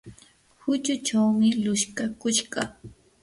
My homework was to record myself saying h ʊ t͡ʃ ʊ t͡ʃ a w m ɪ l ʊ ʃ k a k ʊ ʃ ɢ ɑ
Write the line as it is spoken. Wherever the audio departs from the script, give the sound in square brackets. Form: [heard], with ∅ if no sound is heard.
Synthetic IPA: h ʊ t͡ʃ ʊ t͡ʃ a w m ɪ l ʊ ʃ k a k ʊ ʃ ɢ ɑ